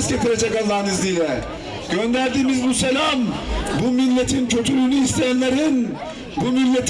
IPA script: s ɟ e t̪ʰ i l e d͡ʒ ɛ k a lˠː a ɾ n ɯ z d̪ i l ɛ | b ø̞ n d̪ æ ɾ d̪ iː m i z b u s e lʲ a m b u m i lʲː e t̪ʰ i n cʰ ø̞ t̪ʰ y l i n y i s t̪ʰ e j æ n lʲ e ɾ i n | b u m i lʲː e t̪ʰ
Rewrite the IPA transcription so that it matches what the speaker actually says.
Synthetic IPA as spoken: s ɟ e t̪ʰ i ɾ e d͡ʒ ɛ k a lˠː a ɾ n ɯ z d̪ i l ɛ | ɟ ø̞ n d̪ æ ɾ d̪ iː m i z b u s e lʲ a m b u m i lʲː e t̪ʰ i n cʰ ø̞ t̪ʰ y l y n y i s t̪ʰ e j æ n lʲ e ɾ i n | b u m i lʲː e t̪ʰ